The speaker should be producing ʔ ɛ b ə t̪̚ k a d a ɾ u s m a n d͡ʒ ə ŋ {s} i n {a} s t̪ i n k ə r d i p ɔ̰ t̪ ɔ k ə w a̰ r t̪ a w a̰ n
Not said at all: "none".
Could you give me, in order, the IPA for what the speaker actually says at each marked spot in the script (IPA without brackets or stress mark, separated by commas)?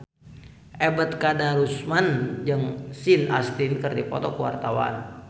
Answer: s, a